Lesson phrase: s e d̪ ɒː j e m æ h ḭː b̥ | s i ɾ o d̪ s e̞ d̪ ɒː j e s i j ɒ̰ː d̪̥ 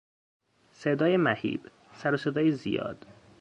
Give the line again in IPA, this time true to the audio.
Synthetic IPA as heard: s e d̪ ɒː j e m æ h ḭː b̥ | s æ ɾ o s e̞ d̪ ɒː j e z i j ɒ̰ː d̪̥

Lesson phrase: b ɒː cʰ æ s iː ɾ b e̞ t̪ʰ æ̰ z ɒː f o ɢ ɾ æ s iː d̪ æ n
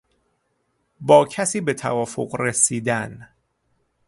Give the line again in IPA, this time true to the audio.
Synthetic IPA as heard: b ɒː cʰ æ s iː b e̞ t̪ʰ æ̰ v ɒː f o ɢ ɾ e s iː d̪ æ n

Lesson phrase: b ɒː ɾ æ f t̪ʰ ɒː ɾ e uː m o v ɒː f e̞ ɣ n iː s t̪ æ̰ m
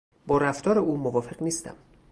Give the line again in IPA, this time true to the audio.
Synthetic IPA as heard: b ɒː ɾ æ f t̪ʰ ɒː ɾ e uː m o v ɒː f e̞ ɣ n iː s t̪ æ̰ m

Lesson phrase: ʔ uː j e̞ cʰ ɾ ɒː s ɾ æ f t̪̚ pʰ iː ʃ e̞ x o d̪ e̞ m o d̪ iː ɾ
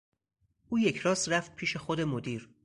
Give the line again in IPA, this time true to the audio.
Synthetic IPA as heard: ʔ uː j e̞ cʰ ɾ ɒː s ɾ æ f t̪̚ pʰ iː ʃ e̞ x o d̪ e̞ m o d̪ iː ɾ

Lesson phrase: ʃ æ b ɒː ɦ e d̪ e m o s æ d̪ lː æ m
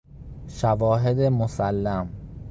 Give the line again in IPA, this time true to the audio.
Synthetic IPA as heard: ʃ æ v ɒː ɦ e d̪ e m o s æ lː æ m

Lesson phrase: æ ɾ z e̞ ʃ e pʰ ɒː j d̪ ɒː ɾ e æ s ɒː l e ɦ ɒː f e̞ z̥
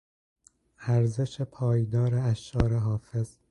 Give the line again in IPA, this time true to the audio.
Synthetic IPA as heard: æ ɾ z e̞ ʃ e pʰ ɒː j d̪ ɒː ɾ e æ ʃ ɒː ɾ e ɦ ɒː f e̞ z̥

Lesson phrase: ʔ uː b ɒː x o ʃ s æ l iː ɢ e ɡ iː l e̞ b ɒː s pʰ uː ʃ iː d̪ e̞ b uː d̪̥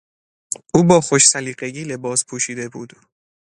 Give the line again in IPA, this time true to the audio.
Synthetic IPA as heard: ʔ uː b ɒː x o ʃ s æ l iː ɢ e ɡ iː l e̞ b ɒː s pʰ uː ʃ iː d̪ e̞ b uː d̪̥

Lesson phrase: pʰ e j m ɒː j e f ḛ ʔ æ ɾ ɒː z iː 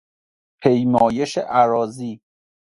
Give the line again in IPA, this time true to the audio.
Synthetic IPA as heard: pʰ e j m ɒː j e ʃ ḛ ʔ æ ɾ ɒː z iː

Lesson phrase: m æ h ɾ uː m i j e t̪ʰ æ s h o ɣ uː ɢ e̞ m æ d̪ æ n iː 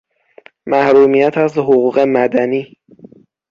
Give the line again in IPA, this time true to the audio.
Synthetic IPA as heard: m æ h ɾ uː m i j æ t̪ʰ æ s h o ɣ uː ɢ e̞ m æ d̪ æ n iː

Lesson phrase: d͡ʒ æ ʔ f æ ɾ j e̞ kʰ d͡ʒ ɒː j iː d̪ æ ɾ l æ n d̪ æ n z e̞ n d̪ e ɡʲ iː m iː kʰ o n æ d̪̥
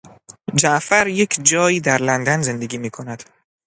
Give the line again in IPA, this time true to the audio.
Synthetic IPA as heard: d͡ʒ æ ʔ f æ ɾ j e̞ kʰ d͡ʒ ɒː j iː d̪ æ ɾ l æ n d̪ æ n z e̞ n d̪ e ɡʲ iː m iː kʰ o n æ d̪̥

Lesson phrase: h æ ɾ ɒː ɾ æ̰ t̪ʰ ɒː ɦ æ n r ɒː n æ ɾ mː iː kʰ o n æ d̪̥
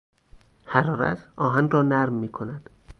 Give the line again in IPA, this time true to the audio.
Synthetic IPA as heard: h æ ɾ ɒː ɾ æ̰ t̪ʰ ɒː ɦ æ n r ɒː n æ ɾ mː iː kʰ o n æ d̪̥

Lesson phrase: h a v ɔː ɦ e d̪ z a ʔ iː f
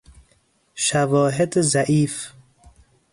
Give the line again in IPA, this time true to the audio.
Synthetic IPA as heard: ʃ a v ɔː ɦ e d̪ z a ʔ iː f

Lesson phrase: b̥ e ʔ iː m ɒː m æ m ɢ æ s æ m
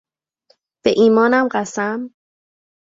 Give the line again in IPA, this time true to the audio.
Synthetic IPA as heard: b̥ e ʔ iː m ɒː n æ m ɢ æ s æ m

